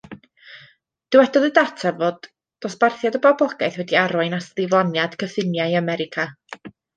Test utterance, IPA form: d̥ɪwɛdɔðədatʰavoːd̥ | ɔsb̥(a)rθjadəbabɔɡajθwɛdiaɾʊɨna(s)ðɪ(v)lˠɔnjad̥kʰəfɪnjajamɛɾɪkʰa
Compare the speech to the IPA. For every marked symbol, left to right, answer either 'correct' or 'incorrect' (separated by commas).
correct, correct, correct